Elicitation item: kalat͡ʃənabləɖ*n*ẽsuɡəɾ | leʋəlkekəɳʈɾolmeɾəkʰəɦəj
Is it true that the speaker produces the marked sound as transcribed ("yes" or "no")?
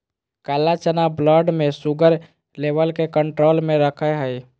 no